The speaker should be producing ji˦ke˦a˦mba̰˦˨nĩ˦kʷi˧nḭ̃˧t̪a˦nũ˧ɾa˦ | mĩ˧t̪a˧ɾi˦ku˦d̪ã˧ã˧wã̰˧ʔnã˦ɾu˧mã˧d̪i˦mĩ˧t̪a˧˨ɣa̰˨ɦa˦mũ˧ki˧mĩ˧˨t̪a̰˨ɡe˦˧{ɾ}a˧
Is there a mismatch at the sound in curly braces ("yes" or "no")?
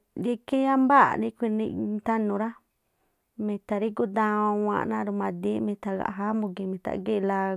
yes